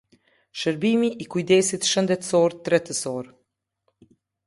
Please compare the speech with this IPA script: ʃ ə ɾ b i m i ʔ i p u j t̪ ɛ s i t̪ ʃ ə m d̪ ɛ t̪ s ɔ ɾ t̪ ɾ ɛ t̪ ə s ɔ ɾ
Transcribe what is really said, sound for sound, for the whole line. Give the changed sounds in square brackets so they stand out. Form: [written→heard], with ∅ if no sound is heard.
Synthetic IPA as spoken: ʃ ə ɾ b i m i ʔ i [p→k] u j [t̪→d̪] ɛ s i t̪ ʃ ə [m→n] d̪ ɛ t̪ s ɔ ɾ t̪ ɾ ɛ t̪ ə s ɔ ɾ